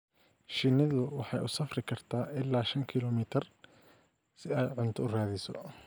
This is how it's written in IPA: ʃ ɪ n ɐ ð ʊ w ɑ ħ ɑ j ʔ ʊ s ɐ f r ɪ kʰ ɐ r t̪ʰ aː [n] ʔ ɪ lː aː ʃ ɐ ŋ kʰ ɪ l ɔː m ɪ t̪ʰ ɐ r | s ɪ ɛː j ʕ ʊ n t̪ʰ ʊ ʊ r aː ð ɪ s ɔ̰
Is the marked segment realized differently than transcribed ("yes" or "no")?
yes